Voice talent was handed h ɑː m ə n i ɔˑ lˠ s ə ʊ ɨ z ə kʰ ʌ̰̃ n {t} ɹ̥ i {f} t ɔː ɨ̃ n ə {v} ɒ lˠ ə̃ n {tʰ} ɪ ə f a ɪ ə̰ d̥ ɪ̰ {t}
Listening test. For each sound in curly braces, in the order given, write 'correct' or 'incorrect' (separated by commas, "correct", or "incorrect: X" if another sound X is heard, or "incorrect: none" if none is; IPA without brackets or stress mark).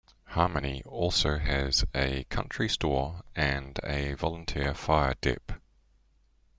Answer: incorrect: t͡ʃ, incorrect: s, correct, correct, incorrect: p